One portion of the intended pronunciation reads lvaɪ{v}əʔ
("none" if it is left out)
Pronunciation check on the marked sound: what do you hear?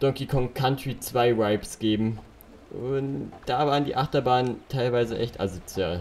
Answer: z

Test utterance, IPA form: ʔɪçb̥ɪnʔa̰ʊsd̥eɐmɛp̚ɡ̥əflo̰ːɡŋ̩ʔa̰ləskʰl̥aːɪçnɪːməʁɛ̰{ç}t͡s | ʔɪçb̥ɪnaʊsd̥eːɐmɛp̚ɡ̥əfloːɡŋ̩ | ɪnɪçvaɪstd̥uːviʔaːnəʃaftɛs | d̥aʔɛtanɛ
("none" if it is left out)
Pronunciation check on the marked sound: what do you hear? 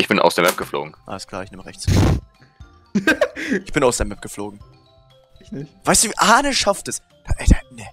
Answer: ç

